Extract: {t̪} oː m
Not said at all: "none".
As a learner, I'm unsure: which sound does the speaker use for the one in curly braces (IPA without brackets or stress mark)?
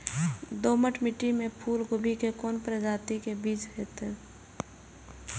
d̪